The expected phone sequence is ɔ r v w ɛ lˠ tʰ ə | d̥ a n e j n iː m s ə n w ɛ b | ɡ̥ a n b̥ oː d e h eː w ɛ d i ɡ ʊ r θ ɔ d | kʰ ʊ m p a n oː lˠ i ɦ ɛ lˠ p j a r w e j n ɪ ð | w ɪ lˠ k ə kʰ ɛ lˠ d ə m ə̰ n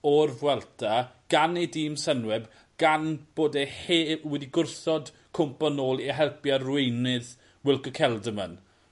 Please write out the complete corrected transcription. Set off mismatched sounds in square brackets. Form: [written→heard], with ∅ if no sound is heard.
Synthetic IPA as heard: ɔ r v w ɛ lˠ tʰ [ə→a] | [d̥→ɡ̥] a n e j [n→d] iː m s ə n w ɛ b | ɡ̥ a n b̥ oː d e h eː w ɛ d i ɡ ʊ r θ ɔ d | kʰ ʊ m p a n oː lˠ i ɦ ɛ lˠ p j a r w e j n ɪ ð | w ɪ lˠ k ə kʰ ɛ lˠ d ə m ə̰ n